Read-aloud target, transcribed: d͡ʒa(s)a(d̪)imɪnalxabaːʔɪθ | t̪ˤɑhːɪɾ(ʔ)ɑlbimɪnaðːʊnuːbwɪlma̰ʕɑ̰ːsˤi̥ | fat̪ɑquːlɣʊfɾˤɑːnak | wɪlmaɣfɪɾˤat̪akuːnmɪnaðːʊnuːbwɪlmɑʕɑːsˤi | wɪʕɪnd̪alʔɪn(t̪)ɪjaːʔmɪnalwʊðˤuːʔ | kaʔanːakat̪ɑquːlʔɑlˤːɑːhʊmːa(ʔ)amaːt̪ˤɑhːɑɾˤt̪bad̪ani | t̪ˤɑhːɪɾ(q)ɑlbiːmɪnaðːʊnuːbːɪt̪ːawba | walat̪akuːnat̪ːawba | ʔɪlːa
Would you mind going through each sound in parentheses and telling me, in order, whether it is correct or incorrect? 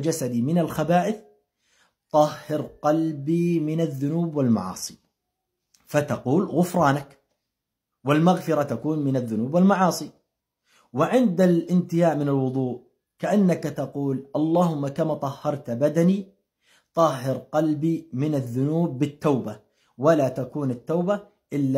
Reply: correct, correct, incorrect: q, correct, incorrect: k, correct

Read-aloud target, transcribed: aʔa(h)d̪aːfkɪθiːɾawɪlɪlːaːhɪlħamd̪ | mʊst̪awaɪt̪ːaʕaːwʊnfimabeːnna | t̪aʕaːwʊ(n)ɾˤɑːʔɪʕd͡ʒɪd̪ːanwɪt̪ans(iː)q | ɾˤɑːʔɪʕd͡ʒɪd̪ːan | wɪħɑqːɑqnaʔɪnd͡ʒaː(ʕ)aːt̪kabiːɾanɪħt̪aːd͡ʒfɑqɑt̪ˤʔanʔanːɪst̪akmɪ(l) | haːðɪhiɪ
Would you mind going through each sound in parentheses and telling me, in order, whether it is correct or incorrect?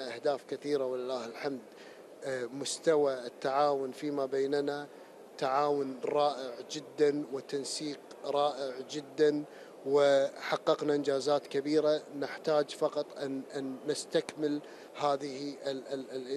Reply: correct, correct, correct, incorrect: z, correct

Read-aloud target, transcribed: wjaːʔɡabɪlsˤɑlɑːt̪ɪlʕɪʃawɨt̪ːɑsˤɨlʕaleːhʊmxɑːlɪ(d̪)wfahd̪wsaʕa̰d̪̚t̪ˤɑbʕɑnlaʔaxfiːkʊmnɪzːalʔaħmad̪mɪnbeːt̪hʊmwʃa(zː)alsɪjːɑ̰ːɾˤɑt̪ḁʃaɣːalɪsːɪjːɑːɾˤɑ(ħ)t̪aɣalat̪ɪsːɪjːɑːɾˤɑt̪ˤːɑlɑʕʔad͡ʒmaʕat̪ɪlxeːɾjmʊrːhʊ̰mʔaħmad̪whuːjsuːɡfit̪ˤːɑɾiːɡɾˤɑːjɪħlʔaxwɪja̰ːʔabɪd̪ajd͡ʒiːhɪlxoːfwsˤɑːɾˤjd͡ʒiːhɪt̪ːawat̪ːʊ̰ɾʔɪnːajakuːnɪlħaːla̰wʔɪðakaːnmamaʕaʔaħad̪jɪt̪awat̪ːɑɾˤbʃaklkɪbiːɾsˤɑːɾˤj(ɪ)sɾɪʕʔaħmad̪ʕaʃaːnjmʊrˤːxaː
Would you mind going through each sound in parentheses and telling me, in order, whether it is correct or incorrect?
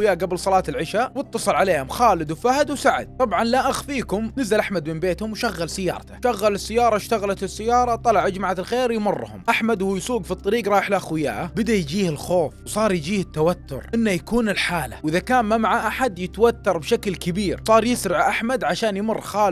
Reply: correct, incorrect: ɣː, incorrect: ʃ, correct

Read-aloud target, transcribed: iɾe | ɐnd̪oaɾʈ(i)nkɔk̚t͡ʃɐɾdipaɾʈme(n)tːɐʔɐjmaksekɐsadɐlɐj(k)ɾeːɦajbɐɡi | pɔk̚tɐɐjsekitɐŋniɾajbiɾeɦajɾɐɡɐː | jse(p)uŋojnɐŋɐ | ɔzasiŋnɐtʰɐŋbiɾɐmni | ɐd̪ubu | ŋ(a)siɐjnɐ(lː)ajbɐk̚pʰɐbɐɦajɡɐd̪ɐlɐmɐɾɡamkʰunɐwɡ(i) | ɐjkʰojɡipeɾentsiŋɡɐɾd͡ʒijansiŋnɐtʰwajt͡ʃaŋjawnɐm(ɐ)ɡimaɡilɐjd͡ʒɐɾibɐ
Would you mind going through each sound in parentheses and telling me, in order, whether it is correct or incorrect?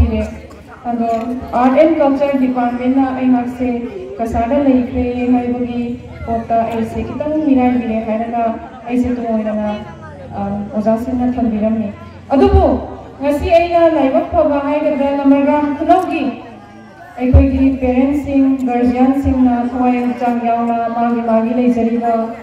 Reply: incorrect: e, correct, incorrect: kʰ, incorrect: t, incorrect: ɐ, incorrect: l, correct, incorrect: a

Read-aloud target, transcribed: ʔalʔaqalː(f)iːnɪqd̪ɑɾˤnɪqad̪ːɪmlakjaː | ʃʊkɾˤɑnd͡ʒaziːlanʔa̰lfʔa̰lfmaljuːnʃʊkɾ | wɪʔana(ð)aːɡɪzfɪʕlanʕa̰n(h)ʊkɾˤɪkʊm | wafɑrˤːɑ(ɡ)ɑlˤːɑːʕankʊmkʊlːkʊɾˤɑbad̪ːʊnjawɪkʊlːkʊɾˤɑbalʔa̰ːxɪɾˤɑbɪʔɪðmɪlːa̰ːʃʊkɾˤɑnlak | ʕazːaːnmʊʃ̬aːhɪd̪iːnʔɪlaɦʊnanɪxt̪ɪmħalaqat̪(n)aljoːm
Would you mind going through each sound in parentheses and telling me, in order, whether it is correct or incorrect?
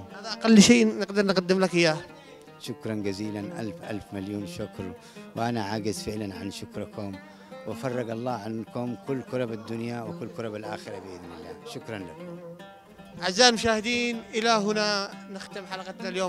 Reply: incorrect: ʃ, incorrect: ʕ, incorrect: ʃ, correct, correct

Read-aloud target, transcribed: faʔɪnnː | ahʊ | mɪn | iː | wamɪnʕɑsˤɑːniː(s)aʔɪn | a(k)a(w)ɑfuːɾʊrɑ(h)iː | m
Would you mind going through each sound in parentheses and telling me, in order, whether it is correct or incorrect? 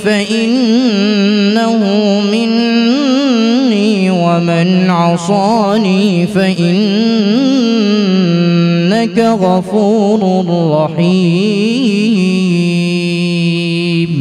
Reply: incorrect: f, correct, incorrect: ɣ, incorrect: ħ

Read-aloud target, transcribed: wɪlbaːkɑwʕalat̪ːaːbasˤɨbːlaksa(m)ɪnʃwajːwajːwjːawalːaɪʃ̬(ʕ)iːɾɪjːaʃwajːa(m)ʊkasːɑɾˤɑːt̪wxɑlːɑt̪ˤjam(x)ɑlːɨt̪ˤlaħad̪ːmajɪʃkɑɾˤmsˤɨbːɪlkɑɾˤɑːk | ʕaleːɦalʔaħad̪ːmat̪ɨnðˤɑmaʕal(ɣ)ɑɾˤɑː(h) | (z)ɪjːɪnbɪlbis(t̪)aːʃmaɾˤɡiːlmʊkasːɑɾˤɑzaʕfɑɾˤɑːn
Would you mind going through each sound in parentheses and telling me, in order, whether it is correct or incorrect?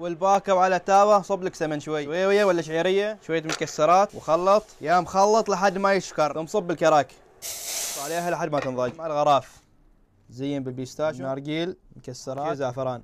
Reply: correct, correct, correct, correct, correct, incorrect: f, correct, correct

